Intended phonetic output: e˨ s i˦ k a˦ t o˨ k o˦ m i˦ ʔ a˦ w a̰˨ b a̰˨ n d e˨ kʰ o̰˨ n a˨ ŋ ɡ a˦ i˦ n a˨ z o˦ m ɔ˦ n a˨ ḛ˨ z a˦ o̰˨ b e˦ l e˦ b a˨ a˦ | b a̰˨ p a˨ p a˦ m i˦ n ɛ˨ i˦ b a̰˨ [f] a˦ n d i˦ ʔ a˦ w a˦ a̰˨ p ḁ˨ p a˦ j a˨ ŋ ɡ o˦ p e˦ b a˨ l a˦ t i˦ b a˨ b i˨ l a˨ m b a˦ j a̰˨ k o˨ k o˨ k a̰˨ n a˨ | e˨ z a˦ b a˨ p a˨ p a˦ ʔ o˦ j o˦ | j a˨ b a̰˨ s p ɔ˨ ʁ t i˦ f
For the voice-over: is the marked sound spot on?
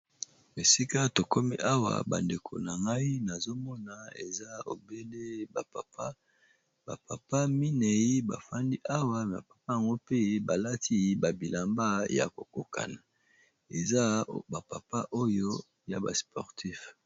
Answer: yes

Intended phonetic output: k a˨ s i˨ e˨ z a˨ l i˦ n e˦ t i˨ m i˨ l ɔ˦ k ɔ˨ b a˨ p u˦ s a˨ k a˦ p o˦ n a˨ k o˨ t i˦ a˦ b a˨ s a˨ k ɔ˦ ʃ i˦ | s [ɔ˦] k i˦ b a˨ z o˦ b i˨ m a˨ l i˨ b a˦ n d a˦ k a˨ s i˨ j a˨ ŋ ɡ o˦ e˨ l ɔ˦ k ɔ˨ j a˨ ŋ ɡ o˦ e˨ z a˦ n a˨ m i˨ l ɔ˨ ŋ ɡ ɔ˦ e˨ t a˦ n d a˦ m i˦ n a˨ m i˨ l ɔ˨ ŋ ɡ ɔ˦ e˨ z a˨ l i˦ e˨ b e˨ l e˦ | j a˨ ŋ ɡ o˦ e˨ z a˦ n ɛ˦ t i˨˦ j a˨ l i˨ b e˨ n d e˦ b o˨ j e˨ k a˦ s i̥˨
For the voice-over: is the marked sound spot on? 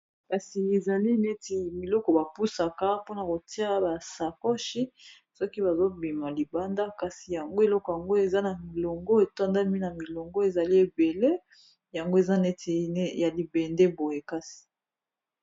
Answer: yes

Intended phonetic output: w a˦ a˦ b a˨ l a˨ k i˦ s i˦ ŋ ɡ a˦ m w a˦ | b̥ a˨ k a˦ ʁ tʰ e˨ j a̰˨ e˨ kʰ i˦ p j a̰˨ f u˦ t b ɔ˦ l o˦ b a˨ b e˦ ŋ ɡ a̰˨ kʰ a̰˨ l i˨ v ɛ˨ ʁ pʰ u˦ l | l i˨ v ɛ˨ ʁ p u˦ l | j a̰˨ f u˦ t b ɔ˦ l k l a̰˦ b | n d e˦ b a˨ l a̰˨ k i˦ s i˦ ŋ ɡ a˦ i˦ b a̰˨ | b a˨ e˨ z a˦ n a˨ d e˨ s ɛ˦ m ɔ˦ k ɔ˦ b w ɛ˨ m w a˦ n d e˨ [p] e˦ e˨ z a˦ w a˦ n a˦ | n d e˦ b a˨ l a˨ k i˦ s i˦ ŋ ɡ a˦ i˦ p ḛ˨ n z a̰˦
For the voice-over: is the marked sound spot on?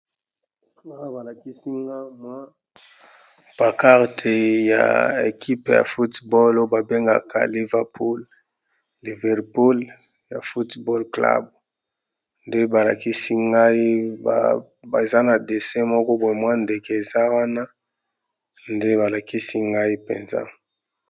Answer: no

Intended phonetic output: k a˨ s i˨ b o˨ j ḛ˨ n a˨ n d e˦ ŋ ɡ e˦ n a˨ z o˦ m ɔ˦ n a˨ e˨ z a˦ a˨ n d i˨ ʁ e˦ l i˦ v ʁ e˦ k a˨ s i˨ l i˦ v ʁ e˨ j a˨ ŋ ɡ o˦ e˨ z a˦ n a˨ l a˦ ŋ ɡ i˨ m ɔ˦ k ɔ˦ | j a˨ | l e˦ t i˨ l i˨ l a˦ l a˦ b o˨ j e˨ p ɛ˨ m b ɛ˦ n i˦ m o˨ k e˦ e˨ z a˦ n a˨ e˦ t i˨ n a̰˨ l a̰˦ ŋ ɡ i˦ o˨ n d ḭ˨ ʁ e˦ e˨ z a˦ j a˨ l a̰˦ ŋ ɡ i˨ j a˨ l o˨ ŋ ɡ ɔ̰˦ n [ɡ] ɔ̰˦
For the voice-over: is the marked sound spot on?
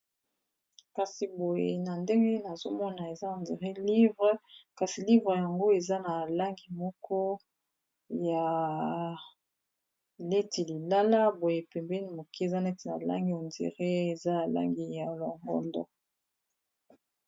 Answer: no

